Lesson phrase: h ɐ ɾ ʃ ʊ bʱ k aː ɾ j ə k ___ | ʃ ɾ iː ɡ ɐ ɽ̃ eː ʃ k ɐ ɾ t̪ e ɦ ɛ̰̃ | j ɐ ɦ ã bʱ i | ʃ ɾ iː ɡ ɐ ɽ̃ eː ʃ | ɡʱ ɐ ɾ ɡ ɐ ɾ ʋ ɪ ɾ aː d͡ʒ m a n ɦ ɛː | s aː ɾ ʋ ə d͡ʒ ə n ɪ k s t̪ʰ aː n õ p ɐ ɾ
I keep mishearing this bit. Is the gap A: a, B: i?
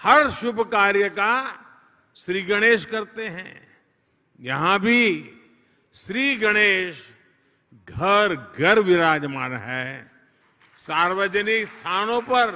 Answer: A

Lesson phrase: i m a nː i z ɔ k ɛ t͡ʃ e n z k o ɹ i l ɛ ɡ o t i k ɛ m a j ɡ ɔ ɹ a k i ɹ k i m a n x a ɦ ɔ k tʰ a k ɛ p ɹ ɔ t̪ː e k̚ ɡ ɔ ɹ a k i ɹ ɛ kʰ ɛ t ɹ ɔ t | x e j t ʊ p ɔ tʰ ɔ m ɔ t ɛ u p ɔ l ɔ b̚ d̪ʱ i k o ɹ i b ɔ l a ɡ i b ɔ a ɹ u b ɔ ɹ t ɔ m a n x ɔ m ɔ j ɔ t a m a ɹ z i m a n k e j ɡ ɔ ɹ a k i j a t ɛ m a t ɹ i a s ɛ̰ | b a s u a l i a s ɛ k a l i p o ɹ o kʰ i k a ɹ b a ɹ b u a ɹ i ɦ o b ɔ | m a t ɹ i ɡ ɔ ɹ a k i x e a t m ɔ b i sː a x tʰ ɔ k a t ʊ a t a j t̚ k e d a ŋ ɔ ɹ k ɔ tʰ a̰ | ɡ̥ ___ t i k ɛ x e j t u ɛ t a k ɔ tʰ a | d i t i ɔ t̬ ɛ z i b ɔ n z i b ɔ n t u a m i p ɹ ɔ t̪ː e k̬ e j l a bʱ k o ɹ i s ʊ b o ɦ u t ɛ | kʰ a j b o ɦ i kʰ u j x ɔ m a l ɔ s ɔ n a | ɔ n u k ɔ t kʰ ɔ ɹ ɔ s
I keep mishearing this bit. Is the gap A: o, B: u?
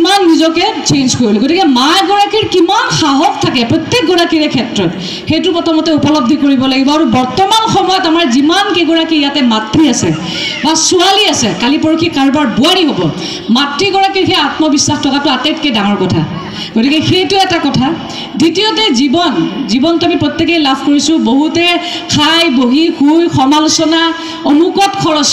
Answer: A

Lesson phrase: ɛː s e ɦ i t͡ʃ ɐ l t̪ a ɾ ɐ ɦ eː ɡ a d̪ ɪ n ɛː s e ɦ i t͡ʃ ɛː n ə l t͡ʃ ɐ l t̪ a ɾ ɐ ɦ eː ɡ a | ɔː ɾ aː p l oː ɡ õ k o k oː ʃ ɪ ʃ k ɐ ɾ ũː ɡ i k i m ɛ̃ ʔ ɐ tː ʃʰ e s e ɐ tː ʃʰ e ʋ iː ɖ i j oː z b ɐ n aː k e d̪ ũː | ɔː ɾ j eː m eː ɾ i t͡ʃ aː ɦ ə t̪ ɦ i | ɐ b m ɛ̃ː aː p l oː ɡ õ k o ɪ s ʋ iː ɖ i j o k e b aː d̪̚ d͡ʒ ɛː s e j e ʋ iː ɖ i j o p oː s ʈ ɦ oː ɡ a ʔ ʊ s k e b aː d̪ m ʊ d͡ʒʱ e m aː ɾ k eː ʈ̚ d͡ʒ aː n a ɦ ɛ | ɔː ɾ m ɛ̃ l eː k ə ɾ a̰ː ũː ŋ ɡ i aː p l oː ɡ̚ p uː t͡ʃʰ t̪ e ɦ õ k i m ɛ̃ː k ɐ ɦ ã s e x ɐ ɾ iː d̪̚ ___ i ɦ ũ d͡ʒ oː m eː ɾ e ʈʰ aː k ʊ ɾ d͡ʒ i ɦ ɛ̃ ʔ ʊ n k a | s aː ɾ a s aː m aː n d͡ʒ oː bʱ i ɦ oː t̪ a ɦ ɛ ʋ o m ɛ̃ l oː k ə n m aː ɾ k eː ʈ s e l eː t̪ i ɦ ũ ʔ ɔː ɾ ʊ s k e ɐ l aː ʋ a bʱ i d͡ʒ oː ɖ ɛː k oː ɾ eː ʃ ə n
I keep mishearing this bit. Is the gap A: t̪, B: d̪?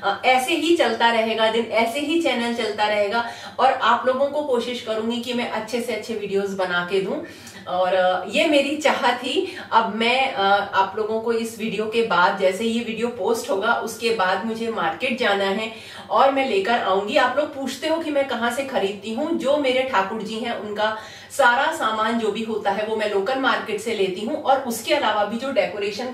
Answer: A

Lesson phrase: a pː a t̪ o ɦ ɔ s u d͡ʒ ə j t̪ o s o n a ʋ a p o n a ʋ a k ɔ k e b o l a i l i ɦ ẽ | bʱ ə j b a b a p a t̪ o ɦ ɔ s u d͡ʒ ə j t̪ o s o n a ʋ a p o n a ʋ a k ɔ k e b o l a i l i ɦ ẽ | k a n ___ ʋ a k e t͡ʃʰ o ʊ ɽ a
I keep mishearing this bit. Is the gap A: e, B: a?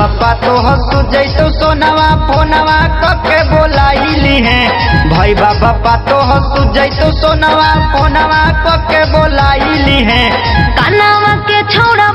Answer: B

